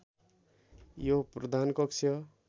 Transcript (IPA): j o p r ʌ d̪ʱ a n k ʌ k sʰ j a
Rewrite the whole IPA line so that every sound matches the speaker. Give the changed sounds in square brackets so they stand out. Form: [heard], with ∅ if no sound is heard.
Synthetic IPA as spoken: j o p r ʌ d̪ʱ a n k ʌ k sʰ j [ʌ]

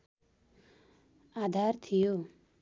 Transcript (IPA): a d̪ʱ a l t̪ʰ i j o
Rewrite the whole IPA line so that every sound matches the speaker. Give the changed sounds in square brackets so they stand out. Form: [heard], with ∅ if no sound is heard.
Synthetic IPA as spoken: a d̪ʱ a [ɾ] t̪ʰ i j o

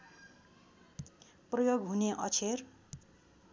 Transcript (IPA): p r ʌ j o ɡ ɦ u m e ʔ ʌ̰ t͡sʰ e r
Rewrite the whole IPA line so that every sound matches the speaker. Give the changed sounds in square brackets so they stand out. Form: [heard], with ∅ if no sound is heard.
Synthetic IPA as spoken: p r ʌ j o ɡ ɦ u [n] e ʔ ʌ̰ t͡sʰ e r

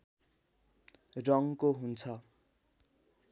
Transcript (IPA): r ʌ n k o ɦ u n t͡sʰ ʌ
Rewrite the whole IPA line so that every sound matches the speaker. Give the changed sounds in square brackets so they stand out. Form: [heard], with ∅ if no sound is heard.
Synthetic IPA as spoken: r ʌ [ŋ] k o ɦ u n t͡sʰ ʌ

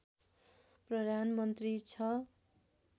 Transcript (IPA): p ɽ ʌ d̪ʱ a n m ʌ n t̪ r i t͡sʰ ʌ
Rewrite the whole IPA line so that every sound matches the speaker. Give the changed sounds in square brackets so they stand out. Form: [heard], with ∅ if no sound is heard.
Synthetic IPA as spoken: p [r] ʌ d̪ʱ a n m ʌ n t̪ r i t͡sʰ ʌ

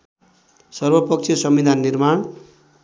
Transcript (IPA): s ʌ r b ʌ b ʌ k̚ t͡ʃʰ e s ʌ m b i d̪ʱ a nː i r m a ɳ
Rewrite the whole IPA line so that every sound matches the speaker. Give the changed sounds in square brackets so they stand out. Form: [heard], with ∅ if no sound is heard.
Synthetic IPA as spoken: s ʌ r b ʌ [p] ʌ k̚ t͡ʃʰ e s ʌ m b i d̪ʱ a nː i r m a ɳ

